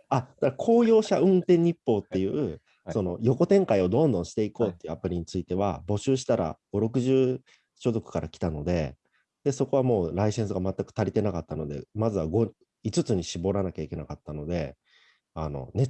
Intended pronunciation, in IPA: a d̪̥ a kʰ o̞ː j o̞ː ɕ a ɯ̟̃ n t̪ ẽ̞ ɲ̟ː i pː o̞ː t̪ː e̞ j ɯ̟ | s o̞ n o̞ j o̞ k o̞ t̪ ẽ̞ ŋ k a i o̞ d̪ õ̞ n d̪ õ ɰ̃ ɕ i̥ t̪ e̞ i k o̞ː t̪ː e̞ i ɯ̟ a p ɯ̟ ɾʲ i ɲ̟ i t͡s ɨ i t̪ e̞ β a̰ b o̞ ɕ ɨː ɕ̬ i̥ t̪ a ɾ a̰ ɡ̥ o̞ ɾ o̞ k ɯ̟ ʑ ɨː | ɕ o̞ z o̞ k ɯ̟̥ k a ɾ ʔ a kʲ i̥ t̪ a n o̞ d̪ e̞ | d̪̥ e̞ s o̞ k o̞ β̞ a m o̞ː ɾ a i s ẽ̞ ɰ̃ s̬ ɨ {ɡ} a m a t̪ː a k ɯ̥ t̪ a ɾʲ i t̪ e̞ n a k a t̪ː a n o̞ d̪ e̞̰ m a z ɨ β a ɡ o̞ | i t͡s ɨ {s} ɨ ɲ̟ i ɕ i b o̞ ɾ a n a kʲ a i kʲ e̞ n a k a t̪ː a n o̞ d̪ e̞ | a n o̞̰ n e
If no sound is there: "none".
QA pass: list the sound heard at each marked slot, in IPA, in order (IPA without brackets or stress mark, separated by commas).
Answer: ɡ, t͡s